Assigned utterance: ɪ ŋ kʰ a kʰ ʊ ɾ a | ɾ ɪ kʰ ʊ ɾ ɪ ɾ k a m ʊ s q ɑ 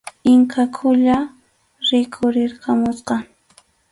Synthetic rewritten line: ɪ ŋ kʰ a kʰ ʊ ʎ a | ɾ ɪ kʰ ʊ ɾ ɪ ɾ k a m ʊ s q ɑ